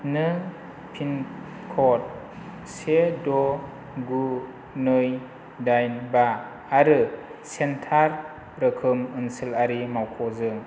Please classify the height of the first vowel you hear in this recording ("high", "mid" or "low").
high